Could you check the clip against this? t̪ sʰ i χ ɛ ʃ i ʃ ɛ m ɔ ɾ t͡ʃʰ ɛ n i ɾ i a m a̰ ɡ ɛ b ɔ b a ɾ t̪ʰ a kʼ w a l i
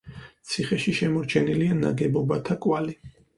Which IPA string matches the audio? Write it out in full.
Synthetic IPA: t̪ sʰ i χ ɛ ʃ i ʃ ɛ m ɔ ɾ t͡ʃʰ ɛ n i l i a n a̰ ɡ ɛ b ɔ b a t̪ʰ a kʼ w a l i